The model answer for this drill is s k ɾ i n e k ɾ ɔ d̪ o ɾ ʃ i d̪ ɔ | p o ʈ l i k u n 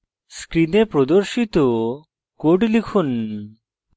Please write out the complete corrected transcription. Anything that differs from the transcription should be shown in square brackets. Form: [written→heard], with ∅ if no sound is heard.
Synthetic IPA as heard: s k ɾ i n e [k→p] ɾ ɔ d̪ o ɾ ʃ i [d̪→t̪] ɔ | [p→k] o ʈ l i [k→kʰ] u n